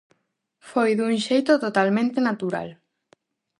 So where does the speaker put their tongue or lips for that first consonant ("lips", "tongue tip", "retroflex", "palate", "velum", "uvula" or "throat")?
lips